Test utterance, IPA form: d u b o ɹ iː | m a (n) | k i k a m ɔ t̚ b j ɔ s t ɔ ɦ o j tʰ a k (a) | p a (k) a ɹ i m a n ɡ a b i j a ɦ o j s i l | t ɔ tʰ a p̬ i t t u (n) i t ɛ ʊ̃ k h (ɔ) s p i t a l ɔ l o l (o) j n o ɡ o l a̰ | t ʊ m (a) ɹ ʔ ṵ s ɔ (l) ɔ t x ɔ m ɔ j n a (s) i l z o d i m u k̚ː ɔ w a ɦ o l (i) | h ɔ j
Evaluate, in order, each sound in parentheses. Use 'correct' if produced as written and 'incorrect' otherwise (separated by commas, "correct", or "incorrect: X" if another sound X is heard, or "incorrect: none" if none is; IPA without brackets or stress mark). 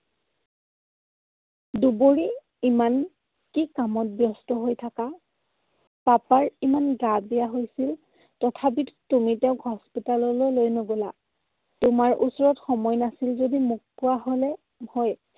correct, correct, incorrect: p, incorrect: m, correct, correct, correct, incorrect: ɹ, correct, incorrect: ɛ